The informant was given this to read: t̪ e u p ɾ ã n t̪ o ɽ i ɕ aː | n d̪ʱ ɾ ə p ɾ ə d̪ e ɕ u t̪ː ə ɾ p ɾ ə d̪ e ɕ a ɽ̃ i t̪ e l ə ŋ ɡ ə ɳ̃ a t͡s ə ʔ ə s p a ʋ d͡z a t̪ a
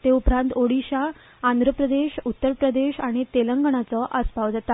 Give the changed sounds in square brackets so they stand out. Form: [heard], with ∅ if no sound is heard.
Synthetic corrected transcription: t̪ e u p ɾ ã n t̪ o ɽ i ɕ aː | n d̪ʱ ɾ ə p ɾ ə d̪ e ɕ u t̪ː ə ɾ p ɾ ə d̪ e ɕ a ɽ̃ i t̪ e l ə ŋ ɡ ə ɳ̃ a t͡s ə ʔ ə s p a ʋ d͡z a t̪ a